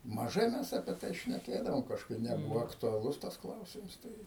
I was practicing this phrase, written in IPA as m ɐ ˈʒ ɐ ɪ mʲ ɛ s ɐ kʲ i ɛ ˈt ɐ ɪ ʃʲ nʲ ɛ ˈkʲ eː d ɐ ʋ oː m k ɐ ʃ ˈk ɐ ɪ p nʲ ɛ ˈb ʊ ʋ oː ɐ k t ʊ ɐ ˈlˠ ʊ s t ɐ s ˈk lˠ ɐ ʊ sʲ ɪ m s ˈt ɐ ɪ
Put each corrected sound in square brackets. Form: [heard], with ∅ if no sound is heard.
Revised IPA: m ɐ ˈʒ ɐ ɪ mʲ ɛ s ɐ [pʲ] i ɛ ˈt ɐ ɪ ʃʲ nʲ ɛ ˈkʲ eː d ɐ ʋ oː m k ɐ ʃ ˈk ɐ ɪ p nʲ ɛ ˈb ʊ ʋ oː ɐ k t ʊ ɐ ˈlˠ ʊ s t ɐ s ˈk lˠ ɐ ʊ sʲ ɪ m s ˈt ɐ ɪ